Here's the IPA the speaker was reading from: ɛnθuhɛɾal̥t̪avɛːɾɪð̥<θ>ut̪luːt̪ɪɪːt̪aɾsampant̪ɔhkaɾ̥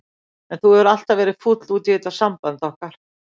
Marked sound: incorrect: f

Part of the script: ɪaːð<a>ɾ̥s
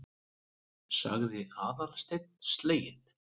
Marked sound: correct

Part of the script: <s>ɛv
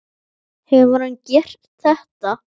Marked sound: incorrect: h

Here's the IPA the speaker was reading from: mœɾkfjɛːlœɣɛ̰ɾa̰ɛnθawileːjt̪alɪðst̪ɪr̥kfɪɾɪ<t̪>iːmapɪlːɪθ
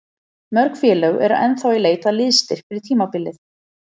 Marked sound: incorrect: t̪ʰ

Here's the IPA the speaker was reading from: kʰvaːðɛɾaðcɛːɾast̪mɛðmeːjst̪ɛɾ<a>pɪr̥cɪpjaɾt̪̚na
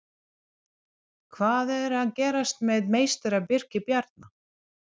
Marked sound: correct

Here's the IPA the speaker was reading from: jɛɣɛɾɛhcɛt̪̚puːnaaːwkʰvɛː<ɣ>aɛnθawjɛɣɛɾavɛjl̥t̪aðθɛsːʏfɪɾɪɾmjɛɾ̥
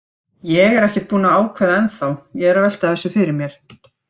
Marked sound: incorrect: ð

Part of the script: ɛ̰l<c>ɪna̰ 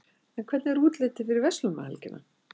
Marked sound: correct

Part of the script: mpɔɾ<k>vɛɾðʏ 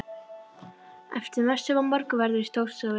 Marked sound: correct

